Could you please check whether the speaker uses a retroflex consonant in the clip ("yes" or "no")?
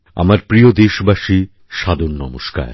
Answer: no